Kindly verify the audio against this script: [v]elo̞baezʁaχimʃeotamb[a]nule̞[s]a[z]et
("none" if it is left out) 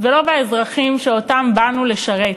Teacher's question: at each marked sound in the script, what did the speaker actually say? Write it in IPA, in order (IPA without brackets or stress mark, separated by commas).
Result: v, a, ʃ, ʁ